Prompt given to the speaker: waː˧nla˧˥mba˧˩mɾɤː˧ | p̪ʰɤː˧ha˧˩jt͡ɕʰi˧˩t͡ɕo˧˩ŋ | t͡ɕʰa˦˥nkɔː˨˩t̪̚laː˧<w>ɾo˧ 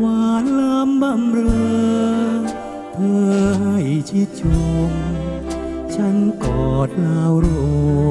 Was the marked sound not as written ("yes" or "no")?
no